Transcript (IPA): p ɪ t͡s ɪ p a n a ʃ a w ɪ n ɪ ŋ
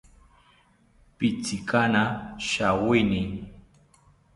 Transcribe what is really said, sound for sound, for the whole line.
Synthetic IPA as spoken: p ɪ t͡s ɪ k a n a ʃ a w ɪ n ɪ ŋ